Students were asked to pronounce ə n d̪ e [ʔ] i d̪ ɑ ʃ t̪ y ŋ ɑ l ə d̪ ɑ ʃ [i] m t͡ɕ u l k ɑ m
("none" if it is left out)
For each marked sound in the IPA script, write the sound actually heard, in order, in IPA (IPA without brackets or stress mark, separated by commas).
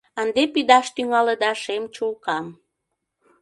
p, e